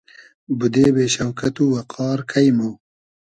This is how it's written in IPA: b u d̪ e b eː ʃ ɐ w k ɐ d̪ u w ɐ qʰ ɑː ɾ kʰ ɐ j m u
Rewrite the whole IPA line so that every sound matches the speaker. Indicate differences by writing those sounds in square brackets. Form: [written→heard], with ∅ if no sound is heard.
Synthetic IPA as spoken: b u d̪ e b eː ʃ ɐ w k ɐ [d̪→t̪] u w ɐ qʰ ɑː ɾ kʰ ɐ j m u